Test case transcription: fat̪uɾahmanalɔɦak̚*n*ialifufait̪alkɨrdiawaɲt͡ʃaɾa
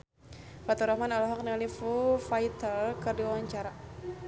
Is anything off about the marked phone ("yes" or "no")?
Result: no